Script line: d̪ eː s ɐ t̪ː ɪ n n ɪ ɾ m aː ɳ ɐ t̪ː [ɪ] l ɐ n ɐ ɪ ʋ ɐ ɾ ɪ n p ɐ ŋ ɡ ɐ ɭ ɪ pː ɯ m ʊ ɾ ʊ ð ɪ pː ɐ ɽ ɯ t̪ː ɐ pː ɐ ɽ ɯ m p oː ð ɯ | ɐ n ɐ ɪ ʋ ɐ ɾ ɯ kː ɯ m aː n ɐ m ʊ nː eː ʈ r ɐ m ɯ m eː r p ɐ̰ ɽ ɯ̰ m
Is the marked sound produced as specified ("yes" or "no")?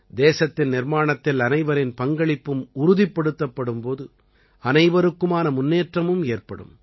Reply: yes